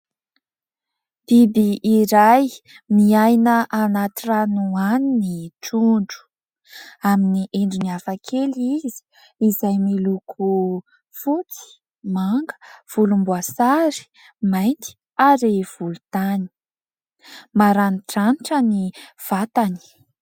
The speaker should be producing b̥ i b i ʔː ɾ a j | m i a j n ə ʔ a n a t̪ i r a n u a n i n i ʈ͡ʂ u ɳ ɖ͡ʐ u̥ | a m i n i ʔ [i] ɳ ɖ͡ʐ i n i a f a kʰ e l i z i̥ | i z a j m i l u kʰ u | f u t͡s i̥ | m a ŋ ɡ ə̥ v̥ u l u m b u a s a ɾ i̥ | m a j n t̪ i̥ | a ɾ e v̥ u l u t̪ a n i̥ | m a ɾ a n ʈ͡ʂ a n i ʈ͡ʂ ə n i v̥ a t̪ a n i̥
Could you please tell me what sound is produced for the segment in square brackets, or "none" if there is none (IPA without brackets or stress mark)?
e